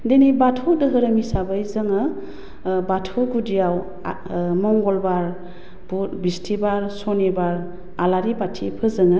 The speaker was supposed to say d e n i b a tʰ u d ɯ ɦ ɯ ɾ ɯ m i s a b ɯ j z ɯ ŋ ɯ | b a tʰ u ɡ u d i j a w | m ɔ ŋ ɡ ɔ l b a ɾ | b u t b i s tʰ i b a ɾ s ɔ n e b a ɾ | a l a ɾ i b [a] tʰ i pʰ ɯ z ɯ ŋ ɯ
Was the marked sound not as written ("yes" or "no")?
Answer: no